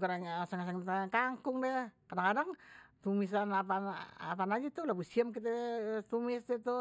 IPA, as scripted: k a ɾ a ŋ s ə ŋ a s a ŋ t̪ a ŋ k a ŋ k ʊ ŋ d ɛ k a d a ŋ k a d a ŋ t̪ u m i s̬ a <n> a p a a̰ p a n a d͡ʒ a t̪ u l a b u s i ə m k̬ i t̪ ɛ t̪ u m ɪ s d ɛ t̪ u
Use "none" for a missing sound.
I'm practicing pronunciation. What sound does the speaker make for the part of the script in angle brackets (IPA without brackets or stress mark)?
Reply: n